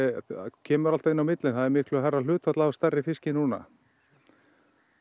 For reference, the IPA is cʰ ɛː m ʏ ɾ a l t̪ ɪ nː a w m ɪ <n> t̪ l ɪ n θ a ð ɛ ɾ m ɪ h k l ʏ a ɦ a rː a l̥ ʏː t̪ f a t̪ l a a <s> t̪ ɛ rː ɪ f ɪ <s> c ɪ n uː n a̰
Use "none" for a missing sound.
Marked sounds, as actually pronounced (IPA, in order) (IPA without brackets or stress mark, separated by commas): none, s, s